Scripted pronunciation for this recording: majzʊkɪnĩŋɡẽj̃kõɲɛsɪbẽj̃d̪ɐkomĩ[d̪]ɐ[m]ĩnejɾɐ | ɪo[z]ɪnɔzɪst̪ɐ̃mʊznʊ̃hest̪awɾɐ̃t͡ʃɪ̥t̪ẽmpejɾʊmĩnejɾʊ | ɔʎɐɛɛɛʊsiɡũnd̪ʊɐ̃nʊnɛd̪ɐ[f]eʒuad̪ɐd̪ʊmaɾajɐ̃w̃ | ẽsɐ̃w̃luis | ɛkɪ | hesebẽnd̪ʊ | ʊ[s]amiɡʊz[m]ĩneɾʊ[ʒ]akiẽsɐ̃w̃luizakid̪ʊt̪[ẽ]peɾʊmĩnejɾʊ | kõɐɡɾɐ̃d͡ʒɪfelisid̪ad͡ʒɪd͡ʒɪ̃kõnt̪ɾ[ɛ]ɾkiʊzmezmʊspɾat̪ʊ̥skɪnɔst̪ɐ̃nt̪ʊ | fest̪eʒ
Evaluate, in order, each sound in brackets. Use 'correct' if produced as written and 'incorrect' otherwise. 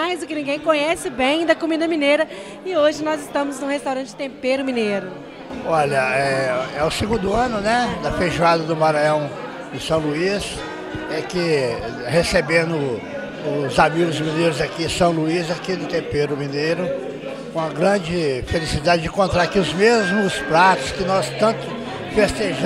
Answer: correct, correct, incorrect: ʒ, correct, incorrect: z, correct, incorrect: z, correct, incorrect: a

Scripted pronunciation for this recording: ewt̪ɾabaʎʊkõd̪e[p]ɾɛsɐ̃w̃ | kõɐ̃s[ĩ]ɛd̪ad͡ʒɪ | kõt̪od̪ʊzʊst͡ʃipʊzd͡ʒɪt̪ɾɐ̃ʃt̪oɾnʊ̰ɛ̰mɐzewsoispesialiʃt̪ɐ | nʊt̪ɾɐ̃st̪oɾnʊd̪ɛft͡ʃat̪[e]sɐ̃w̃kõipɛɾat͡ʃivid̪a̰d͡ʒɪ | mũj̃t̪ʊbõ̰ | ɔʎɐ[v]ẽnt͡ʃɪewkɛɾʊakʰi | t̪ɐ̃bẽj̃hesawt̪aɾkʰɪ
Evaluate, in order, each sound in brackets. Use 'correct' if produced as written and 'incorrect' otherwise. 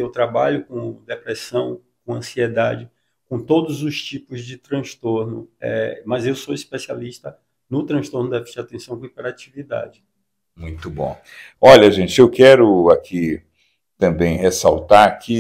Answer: correct, incorrect: i, incorrect: ẽ, incorrect: ʒ

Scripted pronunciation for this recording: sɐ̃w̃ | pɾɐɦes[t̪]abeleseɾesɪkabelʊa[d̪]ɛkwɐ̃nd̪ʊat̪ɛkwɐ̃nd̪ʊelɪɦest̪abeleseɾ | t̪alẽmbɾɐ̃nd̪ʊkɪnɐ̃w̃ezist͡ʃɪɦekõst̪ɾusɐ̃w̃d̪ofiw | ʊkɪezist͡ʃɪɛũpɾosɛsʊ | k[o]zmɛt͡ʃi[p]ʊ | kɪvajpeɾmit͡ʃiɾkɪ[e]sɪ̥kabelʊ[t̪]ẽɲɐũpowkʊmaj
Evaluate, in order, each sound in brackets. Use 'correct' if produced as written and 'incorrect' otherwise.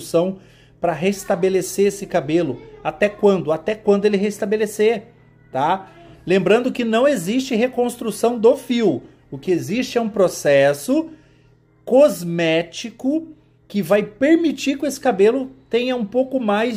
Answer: correct, incorrect: t̪, correct, incorrect: k, correct, correct

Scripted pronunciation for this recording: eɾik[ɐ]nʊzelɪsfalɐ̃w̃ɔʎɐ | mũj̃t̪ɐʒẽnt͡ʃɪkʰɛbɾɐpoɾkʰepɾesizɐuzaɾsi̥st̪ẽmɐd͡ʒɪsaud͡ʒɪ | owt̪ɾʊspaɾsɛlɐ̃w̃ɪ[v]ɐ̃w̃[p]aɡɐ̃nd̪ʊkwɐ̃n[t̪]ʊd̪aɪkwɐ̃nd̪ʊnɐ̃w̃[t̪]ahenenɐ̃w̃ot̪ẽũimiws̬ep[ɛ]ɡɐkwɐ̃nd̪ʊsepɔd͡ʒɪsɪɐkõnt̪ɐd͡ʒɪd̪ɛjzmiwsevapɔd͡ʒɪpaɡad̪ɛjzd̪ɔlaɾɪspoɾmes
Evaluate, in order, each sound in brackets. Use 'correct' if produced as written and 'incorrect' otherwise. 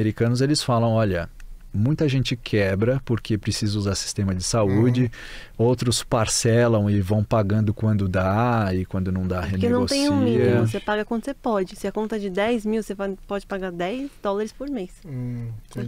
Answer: incorrect: ɐ̃, correct, correct, incorrect: d̪, incorrect: d̪, incorrect: a

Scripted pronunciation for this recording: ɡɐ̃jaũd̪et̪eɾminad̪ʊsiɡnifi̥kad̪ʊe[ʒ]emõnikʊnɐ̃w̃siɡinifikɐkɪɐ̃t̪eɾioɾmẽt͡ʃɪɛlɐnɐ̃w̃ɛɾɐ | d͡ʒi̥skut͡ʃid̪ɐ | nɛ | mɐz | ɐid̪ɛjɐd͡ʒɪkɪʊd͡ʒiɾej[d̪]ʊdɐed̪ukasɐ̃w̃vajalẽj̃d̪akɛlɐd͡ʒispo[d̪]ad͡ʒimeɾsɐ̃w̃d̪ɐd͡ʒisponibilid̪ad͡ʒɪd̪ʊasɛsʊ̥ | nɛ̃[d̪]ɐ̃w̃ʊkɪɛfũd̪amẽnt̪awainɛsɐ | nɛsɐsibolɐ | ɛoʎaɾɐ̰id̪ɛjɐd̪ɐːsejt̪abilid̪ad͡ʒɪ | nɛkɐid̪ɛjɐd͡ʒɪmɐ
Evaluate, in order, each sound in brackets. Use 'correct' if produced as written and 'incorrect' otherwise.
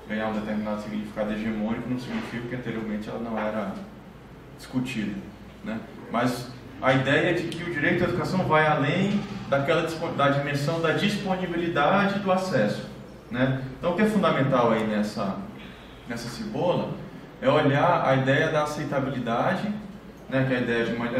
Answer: correct, incorrect: t̪, correct, incorrect: t̪

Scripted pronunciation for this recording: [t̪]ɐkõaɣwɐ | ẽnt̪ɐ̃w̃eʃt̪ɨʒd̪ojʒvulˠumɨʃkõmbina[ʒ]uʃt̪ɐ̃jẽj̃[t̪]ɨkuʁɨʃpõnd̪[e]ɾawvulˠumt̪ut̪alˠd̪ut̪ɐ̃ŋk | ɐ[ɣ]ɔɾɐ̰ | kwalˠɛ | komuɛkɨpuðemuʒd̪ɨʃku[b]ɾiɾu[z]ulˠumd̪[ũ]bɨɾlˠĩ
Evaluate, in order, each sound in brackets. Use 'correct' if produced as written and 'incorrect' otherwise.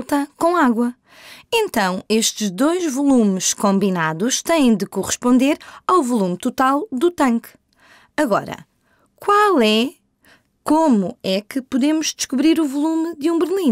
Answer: correct, incorrect: ð, incorrect: d̪, correct, correct, incorrect: β, incorrect: v, correct

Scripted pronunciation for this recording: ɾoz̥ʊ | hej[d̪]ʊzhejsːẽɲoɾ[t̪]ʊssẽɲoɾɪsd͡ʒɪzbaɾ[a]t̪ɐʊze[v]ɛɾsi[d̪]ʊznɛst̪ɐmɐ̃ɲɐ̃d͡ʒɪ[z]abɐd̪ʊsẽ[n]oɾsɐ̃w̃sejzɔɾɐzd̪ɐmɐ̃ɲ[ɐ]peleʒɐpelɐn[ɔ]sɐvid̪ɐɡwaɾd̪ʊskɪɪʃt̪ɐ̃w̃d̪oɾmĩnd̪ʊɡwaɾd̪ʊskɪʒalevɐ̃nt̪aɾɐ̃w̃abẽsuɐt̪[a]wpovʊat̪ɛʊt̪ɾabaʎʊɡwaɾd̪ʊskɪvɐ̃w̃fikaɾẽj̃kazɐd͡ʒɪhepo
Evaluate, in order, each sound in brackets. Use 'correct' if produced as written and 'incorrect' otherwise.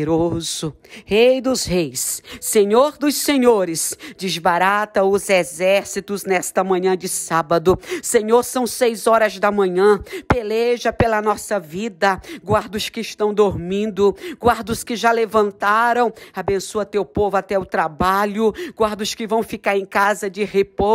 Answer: correct, incorrect: d̪, correct, incorrect: z, incorrect: t̪, incorrect: s, incorrect: ɲ, incorrect: ɐ̃, correct, incorrect: e

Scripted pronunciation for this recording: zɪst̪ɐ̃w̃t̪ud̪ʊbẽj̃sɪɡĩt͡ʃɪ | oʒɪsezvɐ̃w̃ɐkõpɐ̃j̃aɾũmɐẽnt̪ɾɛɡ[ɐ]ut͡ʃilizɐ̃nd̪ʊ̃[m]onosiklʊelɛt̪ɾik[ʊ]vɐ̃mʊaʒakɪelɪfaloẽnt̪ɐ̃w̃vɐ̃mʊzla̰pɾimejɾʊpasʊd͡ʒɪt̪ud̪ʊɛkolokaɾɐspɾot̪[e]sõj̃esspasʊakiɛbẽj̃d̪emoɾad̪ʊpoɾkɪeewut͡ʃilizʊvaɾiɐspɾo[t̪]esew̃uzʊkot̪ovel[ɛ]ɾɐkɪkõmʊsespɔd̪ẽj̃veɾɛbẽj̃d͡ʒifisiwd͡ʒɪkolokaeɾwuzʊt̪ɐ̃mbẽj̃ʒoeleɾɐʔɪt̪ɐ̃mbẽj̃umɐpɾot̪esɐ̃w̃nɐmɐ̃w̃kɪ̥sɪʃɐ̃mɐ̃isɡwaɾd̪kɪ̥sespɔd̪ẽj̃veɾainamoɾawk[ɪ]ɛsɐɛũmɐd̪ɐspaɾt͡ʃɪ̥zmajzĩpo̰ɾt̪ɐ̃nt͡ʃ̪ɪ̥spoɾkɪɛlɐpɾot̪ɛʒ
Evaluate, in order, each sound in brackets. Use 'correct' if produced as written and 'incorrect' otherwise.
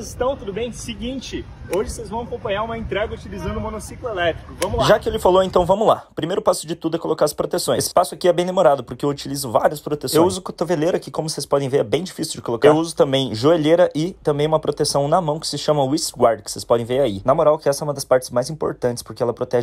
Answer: correct, correct, correct, correct, correct, incorrect: e, correct

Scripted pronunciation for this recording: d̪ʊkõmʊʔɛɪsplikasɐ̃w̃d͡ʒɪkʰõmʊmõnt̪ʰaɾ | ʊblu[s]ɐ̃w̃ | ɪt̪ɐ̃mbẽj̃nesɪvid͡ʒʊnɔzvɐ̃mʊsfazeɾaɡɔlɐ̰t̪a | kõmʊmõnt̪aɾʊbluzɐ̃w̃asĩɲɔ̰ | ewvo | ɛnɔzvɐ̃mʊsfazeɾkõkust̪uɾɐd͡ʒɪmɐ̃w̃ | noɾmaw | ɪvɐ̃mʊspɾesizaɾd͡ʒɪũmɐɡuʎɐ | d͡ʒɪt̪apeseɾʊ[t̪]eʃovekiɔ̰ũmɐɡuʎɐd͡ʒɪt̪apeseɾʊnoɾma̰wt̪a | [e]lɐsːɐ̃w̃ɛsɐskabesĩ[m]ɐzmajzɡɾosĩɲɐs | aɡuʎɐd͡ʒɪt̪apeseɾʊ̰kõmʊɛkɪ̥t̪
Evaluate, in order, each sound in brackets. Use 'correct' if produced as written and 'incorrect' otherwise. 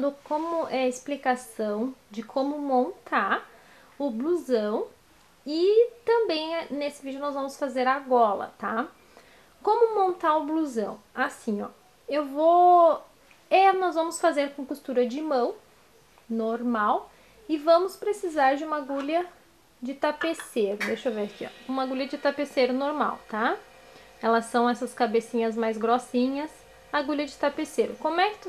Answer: incorrect: z, incorrect: d̪, incorrect: ɛ, incorrect: ɲ

